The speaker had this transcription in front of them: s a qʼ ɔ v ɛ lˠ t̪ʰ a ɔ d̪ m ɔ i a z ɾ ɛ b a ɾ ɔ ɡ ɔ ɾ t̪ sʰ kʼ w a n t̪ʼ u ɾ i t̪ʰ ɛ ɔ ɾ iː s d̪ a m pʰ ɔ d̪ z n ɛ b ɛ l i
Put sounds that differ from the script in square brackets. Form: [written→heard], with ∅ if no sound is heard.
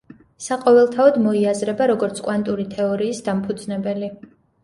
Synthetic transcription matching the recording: s a qʼ ɔ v ɛ lˠ t̪ʰ a ɔ d̪ m ɔ i a z ɾ ɛ b a ɾ ɔ ɡ ɔ ɾ t̪ sʰ kʼ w a n t̪ʼ u ɾ i t̪ʰ ɛ ɔ ɾ iː s d̪ a m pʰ [ɔ→u] d̪ z n ɛ b ɛ l i